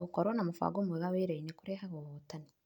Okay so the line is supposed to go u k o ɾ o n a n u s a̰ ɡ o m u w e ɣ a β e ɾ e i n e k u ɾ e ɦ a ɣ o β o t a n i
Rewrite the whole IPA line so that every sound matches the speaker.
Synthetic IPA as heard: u k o ɾ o n a m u f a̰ ɡ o m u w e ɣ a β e ɾ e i n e k u ɾ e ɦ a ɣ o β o t a n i

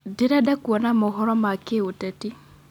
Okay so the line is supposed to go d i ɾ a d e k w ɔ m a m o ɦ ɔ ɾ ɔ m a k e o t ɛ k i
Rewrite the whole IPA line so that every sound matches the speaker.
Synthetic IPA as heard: d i ɾ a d a k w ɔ n a m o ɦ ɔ ɾ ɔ m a k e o t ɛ t i

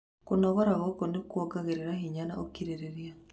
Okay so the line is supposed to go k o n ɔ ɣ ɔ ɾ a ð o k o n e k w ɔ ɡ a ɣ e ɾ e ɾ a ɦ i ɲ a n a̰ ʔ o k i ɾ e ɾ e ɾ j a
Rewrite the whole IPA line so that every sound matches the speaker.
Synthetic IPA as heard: k o n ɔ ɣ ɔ ɾ a ɣ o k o n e k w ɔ ɡ a ɣ e ɾ e ɾ a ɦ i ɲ a n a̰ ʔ o k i ɾ e ɾ e ɾ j a

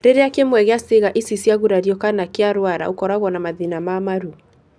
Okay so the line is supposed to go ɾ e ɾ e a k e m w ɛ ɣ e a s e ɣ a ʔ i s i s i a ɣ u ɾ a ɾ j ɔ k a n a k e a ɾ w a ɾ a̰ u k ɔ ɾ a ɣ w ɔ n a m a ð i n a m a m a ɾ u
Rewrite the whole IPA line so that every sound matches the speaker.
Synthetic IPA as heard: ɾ e ɾ e a k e m w ɛ ɣ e a s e ɣ a ʔ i s i s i a ɣ u ɾ a ɾ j ɔ k a n a k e a ɾ w a ɾ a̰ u k ɔ ɾ a ɣ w ɔ n a m a ð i n a m a m a ɾ u

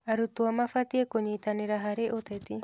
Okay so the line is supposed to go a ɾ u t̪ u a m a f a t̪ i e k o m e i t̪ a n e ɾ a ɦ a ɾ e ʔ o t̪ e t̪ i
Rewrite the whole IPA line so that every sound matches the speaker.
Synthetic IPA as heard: a ɾ u t̪ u a m a f a t̪ i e k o ɲ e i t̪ a n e ɾ a ɦ a ɾ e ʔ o t̪ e t̪ i

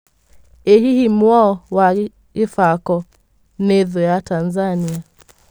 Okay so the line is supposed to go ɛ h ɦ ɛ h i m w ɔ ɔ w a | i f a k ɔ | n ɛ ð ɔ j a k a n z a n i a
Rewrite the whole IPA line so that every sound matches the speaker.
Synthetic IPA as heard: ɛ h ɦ i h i m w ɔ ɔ w a | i f a k ɔ | n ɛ ð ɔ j a t a n z a n i a

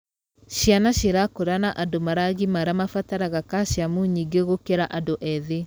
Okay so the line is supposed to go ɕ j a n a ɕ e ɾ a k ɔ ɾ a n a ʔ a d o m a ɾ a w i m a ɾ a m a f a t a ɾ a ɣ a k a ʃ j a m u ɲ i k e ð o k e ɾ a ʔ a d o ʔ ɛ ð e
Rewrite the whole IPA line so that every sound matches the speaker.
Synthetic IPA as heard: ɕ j a n a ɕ e ɾ a k o ɾ a n a ʔ a d o m a ɾ a ɣ i m a ɾ a m a f a t a ɾ a ɣ a k a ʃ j a m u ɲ i ɡ e ɣ o k e ɾ a ʔ a d o ʔ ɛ ð e

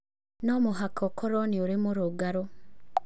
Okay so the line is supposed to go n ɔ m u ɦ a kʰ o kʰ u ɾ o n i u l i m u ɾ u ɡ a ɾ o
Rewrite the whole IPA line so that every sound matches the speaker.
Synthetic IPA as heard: n o m u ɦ a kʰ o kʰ o ɾ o n i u ɾ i m u ɾ u ɡ a ɾ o

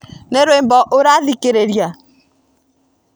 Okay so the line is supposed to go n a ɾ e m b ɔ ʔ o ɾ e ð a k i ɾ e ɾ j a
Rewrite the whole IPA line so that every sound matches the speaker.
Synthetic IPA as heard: n e ɾ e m b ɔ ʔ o ɾ a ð i k e ɾ e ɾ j a

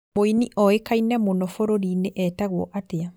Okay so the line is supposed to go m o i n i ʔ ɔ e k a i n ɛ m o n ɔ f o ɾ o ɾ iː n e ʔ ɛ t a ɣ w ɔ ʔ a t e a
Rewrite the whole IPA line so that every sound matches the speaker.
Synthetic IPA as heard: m o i n i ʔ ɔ e k a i n ɛ m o n ɔ f o ɾ o ɾ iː n e ʔ ɛ t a ɣ w ɔ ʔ a t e a

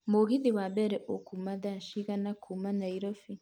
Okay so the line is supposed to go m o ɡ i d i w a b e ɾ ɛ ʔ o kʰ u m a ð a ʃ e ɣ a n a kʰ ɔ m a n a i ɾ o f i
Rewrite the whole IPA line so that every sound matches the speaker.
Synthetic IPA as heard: m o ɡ i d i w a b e ɾ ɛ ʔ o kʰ u m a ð a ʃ i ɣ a n a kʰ u m a n a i ɾ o f i

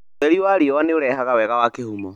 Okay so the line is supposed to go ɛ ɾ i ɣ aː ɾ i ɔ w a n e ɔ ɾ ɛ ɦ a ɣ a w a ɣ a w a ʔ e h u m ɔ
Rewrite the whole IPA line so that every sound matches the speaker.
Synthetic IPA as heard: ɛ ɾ i w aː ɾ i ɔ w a n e o ɾ ɛ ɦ a ɣ a w ɛ ɣ a w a k e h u m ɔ

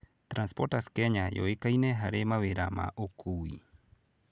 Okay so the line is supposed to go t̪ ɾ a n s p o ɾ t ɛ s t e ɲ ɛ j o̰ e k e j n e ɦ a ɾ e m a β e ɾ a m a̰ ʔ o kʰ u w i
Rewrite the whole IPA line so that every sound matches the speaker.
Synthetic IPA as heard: t̪ ɾ a n s p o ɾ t a s k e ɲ a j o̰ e k a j n e ɦ a ɾ e m a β e ɾ a m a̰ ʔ o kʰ u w i

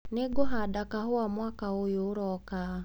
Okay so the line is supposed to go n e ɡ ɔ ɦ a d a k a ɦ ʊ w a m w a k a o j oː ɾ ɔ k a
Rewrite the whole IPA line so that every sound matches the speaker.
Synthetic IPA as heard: n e ɡ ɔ ɦ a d a k a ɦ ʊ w a m w a k a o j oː ɾ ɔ k a

